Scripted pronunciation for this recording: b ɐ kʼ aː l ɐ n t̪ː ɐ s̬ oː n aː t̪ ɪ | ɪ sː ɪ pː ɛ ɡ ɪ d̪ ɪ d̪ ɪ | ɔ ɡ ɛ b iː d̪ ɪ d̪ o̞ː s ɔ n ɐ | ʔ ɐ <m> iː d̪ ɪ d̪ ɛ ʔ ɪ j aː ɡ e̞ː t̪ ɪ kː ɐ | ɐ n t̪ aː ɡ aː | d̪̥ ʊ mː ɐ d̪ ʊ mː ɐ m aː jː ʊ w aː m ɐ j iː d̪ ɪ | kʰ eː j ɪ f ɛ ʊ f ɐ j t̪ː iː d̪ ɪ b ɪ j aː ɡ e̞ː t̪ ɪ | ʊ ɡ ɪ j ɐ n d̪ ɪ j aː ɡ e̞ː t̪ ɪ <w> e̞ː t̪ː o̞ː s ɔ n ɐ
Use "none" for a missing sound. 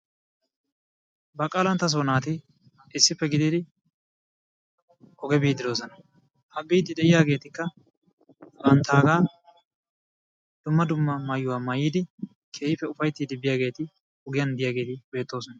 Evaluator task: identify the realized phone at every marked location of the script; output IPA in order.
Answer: b, b

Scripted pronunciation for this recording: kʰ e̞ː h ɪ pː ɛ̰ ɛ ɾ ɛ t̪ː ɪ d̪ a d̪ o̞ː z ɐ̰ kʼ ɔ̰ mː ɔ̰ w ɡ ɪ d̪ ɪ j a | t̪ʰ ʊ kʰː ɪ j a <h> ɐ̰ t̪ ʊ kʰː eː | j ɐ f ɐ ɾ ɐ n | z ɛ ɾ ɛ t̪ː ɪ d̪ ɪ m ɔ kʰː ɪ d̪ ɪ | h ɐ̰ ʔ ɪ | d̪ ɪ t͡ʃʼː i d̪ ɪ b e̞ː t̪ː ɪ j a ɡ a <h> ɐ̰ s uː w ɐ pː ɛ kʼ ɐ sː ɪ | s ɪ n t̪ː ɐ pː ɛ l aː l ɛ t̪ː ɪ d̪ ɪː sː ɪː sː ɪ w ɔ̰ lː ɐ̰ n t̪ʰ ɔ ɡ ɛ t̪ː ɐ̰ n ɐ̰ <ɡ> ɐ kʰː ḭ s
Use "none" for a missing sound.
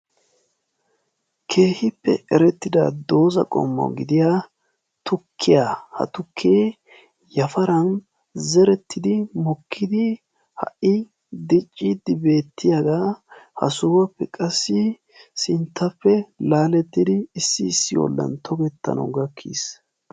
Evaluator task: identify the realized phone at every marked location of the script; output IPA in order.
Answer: h, h, ɡ

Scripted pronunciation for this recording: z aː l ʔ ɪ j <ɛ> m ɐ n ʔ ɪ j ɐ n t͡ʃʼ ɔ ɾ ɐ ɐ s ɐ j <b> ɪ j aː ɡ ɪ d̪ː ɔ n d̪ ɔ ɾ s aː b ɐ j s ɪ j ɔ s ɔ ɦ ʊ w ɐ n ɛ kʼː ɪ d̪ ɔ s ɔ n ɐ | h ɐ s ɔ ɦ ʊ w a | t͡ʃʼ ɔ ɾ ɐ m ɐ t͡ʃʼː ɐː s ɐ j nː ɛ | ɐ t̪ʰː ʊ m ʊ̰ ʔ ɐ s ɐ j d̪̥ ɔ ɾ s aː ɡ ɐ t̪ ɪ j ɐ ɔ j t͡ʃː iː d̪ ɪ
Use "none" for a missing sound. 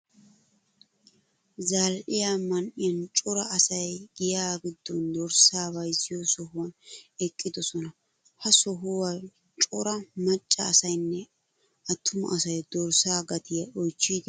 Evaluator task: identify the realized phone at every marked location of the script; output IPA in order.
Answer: a, ɡ

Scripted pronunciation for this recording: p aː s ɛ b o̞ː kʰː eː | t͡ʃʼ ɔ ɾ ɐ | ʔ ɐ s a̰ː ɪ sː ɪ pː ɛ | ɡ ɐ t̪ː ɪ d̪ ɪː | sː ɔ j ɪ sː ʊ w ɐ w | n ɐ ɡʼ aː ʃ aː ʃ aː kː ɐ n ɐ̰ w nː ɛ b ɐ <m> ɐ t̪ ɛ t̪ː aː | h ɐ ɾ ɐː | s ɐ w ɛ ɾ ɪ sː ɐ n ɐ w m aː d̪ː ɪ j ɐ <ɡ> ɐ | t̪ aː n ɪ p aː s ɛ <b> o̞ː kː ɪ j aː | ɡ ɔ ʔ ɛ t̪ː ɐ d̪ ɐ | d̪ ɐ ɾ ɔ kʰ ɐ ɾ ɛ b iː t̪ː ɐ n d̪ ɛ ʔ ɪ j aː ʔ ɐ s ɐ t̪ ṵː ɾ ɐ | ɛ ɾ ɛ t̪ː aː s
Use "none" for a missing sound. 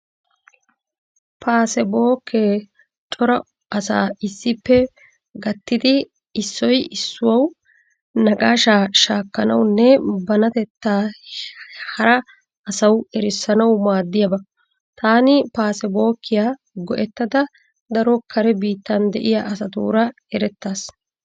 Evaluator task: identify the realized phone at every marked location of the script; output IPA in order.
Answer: n, b, b

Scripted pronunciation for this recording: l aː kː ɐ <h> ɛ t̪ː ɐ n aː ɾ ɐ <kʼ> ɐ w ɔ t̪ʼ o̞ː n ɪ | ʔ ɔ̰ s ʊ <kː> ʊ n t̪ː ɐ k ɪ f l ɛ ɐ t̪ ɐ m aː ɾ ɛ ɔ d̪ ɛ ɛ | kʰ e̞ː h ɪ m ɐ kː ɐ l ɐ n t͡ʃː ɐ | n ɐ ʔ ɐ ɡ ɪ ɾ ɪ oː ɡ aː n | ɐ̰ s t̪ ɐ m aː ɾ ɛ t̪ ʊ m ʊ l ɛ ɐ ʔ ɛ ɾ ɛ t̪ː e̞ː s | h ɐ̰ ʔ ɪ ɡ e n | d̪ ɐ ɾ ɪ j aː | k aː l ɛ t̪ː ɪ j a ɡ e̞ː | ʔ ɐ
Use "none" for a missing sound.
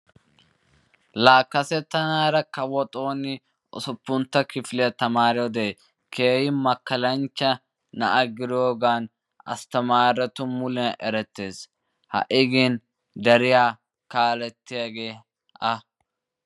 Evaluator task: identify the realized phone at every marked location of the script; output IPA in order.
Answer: s, k, pː

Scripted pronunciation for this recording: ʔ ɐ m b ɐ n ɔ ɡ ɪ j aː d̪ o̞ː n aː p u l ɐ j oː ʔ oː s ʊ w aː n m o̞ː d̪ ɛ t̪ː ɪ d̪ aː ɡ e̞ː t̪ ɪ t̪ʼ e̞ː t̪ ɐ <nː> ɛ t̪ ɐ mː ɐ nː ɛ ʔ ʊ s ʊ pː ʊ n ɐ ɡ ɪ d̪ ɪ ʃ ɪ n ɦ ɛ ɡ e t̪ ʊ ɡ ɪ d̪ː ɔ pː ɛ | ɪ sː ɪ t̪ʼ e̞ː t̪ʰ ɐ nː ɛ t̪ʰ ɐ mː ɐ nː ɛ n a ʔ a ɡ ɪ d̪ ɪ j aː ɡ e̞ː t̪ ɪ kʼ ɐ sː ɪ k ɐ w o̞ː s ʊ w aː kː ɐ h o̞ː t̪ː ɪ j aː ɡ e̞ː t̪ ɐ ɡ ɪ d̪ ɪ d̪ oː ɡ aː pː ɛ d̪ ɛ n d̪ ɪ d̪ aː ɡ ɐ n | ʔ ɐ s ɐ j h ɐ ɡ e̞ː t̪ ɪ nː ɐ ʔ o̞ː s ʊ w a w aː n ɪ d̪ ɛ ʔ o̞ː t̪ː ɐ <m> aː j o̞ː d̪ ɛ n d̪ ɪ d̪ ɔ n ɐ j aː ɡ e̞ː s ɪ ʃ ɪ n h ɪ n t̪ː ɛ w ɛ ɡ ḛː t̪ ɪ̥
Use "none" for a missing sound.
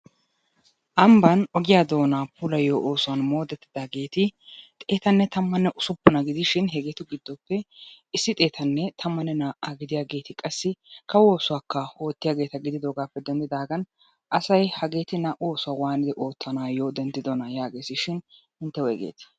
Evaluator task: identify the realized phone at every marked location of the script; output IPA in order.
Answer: nː, n

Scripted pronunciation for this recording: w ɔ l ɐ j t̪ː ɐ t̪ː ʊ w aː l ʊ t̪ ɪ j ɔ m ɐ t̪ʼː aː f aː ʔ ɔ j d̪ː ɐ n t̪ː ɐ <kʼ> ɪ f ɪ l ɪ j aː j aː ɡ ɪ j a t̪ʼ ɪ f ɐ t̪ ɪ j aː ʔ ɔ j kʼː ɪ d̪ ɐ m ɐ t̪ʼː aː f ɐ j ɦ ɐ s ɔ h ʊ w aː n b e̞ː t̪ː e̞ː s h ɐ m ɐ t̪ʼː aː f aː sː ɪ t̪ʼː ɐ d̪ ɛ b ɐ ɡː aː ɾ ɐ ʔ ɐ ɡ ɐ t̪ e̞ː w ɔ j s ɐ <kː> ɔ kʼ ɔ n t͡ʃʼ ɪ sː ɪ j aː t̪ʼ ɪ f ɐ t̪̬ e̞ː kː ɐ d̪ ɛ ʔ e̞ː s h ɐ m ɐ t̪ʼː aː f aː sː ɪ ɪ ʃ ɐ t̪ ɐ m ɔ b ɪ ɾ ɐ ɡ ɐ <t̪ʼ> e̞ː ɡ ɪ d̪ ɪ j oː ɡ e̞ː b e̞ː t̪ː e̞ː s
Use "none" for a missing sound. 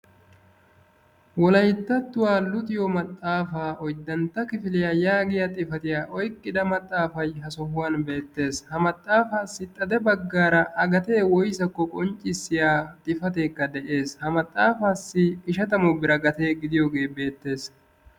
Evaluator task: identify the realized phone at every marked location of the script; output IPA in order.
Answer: k, kː, t̪

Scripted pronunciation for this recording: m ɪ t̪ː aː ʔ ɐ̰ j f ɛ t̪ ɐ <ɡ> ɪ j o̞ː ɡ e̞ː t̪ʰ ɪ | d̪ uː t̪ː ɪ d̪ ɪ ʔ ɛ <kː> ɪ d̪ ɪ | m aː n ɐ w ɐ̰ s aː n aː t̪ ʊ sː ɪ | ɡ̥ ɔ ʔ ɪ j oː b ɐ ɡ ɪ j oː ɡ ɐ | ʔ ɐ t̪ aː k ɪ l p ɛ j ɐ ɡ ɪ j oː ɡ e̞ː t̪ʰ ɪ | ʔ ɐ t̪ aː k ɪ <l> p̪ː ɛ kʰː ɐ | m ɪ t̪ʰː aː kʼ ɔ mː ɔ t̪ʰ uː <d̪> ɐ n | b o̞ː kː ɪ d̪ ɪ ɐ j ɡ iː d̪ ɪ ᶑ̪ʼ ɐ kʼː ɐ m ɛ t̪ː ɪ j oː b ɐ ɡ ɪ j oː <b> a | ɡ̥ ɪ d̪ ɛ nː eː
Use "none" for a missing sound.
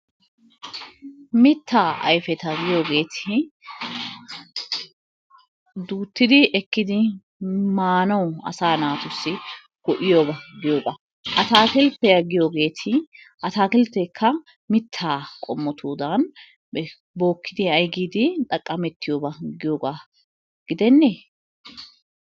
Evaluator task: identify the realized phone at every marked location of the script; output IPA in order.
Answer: ɡ, kː, l, d̪, ɡ

